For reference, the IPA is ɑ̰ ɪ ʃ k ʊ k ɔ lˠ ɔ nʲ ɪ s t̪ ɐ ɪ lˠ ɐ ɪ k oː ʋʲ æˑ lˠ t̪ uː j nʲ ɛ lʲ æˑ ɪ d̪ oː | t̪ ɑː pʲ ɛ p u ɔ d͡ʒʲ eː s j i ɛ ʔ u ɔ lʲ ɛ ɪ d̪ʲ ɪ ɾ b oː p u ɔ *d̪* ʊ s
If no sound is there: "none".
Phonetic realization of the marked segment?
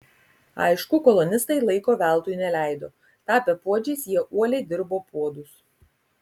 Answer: d̪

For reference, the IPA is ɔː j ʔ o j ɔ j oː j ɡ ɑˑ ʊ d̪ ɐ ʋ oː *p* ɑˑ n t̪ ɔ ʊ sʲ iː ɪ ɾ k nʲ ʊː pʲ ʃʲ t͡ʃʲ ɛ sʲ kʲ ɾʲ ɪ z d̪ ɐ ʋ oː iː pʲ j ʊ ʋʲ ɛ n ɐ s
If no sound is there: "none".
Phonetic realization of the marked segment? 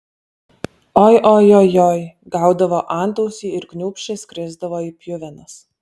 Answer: ʔ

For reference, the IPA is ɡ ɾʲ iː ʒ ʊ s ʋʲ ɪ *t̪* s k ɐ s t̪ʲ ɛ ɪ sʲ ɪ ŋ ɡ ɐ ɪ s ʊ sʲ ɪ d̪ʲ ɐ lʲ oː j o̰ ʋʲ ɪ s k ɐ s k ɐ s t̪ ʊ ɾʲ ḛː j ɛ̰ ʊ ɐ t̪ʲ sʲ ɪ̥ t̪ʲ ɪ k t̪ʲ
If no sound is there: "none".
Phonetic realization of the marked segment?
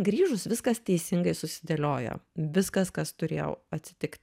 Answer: none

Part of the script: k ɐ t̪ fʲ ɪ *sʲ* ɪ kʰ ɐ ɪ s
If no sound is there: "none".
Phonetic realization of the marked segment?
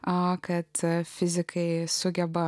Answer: zʲ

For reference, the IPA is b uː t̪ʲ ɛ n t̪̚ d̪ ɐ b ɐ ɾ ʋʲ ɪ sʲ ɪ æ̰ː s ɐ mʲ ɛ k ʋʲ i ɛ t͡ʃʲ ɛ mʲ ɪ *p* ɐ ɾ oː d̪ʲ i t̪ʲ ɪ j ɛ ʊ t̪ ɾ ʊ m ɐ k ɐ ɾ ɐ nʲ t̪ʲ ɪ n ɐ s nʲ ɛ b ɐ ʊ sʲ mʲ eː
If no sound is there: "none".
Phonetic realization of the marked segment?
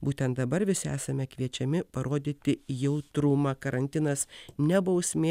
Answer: p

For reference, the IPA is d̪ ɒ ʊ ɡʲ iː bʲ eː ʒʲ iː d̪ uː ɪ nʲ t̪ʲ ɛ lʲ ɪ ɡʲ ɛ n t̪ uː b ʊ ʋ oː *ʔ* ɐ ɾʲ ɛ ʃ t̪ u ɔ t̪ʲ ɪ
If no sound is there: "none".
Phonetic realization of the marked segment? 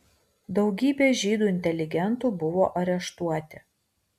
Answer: ʔ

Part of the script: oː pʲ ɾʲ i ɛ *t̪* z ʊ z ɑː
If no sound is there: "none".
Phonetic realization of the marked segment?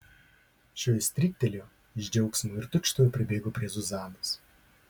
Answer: none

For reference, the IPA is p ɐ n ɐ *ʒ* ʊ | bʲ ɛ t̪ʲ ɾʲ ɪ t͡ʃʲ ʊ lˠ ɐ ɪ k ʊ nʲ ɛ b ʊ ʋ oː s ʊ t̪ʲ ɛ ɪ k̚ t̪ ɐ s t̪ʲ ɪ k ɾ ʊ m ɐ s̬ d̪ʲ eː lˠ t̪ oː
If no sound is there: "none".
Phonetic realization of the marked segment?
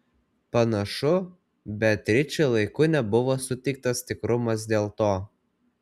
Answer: ʃ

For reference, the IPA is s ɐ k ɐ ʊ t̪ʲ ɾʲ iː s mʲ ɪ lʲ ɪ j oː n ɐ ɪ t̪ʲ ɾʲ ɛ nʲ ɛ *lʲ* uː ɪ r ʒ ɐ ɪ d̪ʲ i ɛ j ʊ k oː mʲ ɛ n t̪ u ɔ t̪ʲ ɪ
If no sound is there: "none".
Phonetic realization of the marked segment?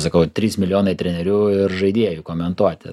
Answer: ɾʲ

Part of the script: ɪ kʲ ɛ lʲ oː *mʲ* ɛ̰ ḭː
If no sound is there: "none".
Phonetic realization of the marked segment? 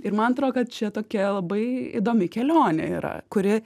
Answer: nʲ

